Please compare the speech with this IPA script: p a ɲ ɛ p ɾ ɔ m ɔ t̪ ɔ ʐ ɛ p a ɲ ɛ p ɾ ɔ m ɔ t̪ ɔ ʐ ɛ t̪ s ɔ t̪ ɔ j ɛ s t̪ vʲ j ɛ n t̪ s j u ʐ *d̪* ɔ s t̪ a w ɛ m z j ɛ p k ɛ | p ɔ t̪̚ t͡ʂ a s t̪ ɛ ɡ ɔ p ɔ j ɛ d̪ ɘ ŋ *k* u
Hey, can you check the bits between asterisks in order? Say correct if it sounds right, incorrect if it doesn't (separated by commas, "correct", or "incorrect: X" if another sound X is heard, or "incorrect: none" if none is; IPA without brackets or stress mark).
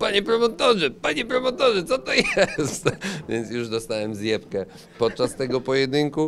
correct, correct